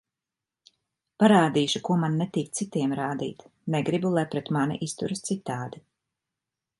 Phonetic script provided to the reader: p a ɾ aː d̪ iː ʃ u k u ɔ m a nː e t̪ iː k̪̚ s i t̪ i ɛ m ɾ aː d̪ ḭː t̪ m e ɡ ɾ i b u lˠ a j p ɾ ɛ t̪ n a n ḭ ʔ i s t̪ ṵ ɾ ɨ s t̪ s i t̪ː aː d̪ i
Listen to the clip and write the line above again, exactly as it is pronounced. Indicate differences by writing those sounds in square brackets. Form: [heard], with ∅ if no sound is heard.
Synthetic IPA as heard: p a ɾ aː d̪ iː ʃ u k u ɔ m a nː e t̪ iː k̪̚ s i t̪ i ɛ m ɾ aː d̪ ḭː t̪ [n] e ɡ ɾ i b u lˠ a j p ɾ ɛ t̪ [m] a n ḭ ʔ i s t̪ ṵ ɾ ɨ s t̪ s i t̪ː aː d̪ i